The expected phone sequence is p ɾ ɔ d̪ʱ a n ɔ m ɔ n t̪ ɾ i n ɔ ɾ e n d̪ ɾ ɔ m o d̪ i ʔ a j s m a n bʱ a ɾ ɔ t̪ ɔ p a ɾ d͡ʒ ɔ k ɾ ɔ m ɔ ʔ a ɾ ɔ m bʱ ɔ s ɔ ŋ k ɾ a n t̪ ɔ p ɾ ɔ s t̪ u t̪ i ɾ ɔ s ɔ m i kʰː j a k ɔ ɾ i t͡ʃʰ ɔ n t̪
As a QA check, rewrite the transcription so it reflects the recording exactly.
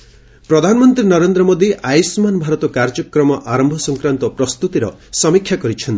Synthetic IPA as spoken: p ɾ ɔ d̪ʱ a n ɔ m ɔ n t̪ ɾ i n ɔ ɾ e n d̪ ɾ ɔ m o d̪ i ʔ a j s m a n bʱ a ɾ ɔ t̪ ɔ k a ɾ d͡ʒ ɔ k ɾ ɔ m ɔ ʔ a ɾ ɔ m bʱ ɔ s ɔ ŋ k ɾ a n t̪ ɔ p ɾ ɔ s t̪ u t̪ i ɾ ɔ s ɔ m i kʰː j a k ɔ ɾ i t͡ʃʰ ɔ n t̪